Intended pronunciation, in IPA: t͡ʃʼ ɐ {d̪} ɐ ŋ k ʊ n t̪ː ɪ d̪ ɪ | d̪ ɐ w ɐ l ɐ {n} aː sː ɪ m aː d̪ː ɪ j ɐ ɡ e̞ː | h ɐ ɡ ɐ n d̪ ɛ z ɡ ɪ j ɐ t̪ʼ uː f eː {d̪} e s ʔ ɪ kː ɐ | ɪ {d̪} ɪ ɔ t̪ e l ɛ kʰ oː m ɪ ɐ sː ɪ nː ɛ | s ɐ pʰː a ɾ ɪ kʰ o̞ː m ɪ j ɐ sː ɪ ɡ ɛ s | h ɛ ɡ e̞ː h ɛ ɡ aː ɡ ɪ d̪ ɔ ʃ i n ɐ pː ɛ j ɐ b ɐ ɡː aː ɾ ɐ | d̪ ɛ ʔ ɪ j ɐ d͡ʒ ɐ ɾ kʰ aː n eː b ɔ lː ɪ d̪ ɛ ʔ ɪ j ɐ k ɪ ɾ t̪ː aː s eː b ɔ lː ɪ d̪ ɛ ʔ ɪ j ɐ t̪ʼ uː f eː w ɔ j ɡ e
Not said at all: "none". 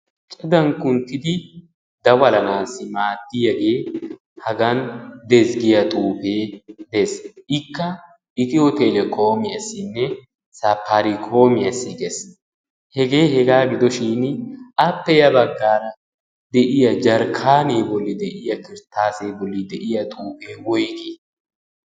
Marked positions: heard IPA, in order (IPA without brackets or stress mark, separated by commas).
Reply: d̪, n, d̪, t̪